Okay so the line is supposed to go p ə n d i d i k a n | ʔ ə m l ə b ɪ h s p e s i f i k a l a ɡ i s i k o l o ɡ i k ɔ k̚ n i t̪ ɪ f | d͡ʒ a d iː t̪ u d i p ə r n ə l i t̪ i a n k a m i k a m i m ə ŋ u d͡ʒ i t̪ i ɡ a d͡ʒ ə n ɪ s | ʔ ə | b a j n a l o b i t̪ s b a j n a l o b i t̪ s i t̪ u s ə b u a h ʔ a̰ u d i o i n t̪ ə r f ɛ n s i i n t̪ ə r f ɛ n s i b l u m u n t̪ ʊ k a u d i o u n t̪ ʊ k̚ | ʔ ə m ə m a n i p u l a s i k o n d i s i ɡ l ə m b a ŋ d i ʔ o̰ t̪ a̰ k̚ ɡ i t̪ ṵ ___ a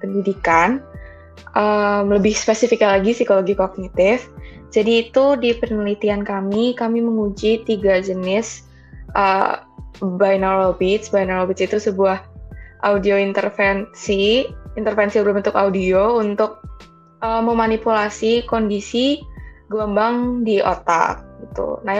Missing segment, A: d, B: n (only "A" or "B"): B